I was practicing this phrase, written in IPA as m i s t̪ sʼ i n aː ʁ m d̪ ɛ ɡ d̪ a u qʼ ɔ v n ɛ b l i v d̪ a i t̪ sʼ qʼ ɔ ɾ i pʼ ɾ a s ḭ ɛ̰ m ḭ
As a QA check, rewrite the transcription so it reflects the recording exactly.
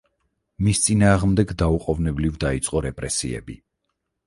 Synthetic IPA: m i s t̪ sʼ i n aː ʁ m d̪ ɛ ɡ d̪ a u qʼ ɔ v n ɛ b l i v d̪ a i t̪ sʼ qʼ ɔ ɾ ɛ pʼ ɾ ɛ s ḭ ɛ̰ b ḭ